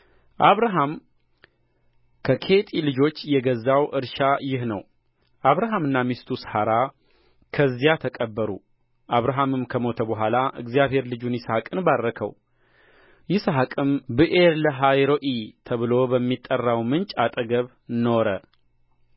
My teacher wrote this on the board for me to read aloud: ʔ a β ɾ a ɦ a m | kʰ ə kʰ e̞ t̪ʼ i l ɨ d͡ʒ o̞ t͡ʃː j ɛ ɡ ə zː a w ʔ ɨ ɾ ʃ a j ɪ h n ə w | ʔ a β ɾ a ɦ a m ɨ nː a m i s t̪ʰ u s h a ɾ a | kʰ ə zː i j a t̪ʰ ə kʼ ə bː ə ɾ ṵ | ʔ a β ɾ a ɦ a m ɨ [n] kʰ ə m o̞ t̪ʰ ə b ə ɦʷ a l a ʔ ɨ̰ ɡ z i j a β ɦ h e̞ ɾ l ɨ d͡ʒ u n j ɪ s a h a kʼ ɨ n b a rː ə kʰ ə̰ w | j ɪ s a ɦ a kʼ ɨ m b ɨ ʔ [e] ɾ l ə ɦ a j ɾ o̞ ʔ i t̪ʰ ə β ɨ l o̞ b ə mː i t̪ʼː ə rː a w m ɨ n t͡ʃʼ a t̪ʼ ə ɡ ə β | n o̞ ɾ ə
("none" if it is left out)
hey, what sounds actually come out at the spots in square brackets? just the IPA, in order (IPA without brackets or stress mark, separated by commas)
m, e